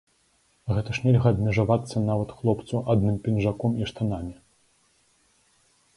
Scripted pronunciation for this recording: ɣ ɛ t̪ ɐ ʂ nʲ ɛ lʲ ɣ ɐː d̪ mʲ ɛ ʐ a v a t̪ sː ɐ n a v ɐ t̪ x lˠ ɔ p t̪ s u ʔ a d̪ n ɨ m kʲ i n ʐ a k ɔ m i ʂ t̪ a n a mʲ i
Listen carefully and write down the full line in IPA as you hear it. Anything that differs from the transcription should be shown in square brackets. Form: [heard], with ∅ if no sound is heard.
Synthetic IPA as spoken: ɣ ɛ t̪ ɐ ʂ nʲ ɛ lʲ ɣ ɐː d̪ mʲ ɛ ʐ a v a t̪ sː ɐ n a v ɐ t̪ x lˠ ɔ p t̪ s u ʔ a d̪ n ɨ m [pʲ] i n ʐ a k ɔ m i ʂ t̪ a n a mʲ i

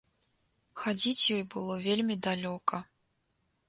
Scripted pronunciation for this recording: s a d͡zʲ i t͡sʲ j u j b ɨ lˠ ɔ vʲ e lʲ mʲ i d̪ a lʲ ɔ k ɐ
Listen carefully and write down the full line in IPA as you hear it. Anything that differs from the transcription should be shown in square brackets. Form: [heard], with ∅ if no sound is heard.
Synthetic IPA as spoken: [x] a d͡zʲ i t͡sʲ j [ɔ] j b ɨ lˠ ɔ vʲ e lʲ mʲ i d̪ a lʲ ɔ k ɐ

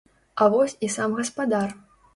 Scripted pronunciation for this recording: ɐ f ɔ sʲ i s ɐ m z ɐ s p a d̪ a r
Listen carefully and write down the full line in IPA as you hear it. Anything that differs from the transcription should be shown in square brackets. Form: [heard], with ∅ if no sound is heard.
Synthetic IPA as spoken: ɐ [v] ɔ sʲ i s [a] m [ɣ] ɐ s p a d̪ a r

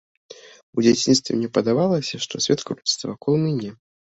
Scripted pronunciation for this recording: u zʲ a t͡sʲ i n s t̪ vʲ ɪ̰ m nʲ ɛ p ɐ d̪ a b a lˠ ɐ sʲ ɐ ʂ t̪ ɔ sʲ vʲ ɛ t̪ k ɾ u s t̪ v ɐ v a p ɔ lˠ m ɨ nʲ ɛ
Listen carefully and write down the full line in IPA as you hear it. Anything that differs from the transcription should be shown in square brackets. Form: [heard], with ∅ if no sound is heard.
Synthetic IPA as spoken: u [d͡zʲ] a t͡sʲ i n s t̪ vʲ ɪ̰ m nʲ ɛ p ɐ d̪ a [v] a lˠ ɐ sʲ ɐ ʂ t̪ ɔ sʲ vʲ ɛ t̪ k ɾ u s t̪ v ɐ v a [k] ɔ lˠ m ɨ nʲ ɛ

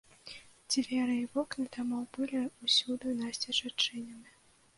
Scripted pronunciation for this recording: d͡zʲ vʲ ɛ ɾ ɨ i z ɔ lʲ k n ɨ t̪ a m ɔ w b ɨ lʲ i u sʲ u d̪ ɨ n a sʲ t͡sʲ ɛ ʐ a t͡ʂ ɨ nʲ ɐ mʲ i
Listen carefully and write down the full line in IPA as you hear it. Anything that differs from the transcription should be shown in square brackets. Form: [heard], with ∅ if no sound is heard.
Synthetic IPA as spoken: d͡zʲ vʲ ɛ ɾ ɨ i [v] ɔ [∅] k n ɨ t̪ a m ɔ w b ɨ lʲ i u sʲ u d̪ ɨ n a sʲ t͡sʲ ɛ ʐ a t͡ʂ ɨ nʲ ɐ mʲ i

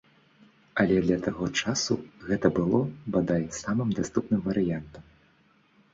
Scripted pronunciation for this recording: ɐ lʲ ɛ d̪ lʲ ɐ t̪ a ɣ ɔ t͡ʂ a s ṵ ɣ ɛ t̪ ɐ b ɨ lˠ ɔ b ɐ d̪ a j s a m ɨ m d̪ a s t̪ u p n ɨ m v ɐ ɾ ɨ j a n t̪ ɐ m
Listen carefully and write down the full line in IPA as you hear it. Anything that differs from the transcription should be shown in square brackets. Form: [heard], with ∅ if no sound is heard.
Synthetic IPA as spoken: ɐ lʲ ɛ d̪ lʲ ɐ t̪ a ɣ ɔ t͡ʂ a s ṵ ɣ ɛ t̪ ɐ b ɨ lˠ ɔ b [a] d̪ a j s a m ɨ m d̪ a s t̪ u p n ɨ m v ɐ ɾ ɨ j a n t̪ ɐ m

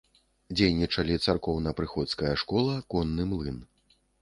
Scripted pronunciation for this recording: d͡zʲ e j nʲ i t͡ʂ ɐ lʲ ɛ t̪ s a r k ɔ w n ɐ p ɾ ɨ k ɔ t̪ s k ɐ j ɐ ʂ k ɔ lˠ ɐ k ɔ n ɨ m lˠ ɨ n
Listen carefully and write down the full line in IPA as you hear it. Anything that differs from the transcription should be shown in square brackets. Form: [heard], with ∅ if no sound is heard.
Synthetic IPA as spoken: d͡zʲ e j nʲ i t͡ʂ ɐ lʲ [i] t̪ s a r k ɔ w n ɐ p ɾ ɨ [x] ɔ t̪ s k ɐ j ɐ ʂ k ɔ lˠ ɐ k ɔ [nː] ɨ m lˠ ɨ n

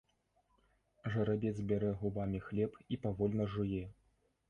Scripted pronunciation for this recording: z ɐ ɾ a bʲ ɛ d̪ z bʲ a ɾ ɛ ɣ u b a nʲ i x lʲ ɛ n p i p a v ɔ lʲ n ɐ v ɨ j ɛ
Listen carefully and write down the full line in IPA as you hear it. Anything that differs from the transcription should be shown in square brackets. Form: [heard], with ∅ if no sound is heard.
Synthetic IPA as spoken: [ʐ] ɐ ɾ a bʲ ɛ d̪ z bʲ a ɾ ɛ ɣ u b a [mʲ] i x lʲ ɛ [∅] p i p a v ɔ lʲ n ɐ [ʐ] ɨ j ɛ

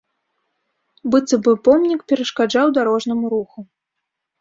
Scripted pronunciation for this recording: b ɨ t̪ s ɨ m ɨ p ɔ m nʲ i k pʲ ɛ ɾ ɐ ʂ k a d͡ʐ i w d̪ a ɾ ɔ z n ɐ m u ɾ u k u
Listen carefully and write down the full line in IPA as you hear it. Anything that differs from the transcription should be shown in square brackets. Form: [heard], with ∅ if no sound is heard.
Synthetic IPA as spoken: b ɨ t̪ s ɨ [b] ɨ p ɔ m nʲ i k pʲ ɛ ɾ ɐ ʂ k a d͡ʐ [a] w d̪ a ɾ ɔ [ʐ] n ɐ m u ɾ u [x] u

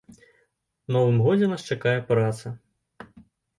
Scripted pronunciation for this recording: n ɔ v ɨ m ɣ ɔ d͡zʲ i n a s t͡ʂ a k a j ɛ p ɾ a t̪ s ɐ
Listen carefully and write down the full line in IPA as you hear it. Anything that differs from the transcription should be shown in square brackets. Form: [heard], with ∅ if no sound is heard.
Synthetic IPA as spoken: n ɔ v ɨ m ɣ ɔ d͡zʲ [ɛ] n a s t͡ʂ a k a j ɛ p ɾ a t̪ s ɐ

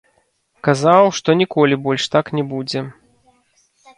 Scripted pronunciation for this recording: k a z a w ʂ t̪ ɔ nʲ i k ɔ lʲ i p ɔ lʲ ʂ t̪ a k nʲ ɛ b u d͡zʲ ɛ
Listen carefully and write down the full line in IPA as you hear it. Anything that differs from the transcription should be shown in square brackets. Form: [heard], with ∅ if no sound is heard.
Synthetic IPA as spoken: k a z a w ʂ t̪ ɔ nʲ i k ɔ lʲ i [b] ɔ lʲ ʂ t̪ a k nʲ ɛ b u d͡zʲ ɛ

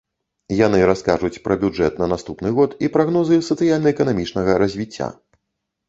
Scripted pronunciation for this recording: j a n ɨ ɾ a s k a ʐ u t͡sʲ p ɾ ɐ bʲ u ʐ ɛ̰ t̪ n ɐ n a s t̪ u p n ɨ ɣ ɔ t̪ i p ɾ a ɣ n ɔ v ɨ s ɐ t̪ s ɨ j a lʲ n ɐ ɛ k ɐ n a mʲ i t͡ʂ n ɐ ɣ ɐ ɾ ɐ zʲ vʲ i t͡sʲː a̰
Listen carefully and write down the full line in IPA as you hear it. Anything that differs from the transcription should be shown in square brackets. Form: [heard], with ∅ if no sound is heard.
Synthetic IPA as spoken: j a n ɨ ɾ a s k a ʐ u t͡sʲ p ɾ ɐ bʲ u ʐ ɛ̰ t̪ n ɐ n a s t̪ u p n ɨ ɣ ɔ t̪ i p ɾ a ɣ n ɔ [z] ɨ s ɐ t̪ s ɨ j a lʲ n ɐ ɛ k ɐ n a mʲ i t͡ʂ n ɐ ɣ ɐ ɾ ɐ zʲ vʲ i t͡sʲː a̰

